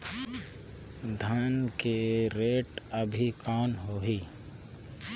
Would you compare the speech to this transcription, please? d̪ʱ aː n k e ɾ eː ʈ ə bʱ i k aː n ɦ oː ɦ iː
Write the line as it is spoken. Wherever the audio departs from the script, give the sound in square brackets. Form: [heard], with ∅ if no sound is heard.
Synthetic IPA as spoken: d̪ʱ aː n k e ɾ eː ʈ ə bʱ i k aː n ɦ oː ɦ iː